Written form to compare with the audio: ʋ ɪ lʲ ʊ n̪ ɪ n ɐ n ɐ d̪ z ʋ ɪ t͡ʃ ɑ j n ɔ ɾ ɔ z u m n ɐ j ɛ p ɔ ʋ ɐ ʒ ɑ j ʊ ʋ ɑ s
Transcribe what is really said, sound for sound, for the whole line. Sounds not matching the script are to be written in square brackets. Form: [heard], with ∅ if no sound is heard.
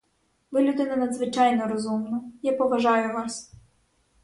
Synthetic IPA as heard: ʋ ɪ lʲ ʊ [d̪] ɪ n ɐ n ɐ d̪ z ʋ ɪ t͡ʃ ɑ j n ɔ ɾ ɔ z u m n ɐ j [a] p ɔ ʋ ɐ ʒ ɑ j ʊ ʋ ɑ s